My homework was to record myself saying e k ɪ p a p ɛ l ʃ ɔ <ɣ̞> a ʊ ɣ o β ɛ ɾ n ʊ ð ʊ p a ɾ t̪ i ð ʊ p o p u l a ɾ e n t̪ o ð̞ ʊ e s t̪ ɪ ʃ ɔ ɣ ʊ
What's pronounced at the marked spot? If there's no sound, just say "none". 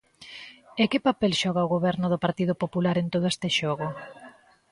ɣ̞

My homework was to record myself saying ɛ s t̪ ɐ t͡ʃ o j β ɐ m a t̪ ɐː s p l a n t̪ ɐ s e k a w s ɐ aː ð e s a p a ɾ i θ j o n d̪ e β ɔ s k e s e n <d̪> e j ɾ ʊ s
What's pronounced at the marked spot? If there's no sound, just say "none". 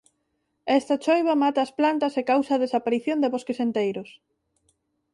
t̪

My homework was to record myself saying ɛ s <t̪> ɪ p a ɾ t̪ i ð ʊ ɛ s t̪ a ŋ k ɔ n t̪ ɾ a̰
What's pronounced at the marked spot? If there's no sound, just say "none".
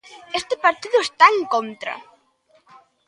t̪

